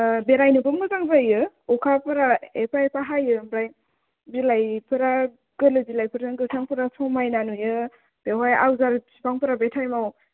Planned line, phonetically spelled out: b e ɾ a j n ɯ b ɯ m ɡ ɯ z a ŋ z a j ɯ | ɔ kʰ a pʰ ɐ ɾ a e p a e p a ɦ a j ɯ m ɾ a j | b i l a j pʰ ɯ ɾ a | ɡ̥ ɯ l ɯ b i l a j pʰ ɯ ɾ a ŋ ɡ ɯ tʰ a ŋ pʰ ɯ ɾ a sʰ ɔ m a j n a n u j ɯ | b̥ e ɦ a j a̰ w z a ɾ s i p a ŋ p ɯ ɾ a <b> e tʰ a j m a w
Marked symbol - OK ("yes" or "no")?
yes